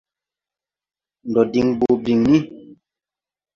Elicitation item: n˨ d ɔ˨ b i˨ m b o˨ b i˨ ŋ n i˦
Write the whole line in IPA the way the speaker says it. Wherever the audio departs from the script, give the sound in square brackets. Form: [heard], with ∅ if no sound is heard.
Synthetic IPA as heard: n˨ d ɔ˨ [d] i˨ [ŋ] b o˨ b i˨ ŋ n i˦